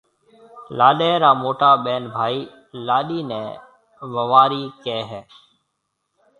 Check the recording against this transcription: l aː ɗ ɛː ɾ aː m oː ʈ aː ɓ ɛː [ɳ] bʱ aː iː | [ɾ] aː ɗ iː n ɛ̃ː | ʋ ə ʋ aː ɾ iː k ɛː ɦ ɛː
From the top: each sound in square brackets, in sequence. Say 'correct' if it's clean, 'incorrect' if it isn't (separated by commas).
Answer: incorrect, incorrect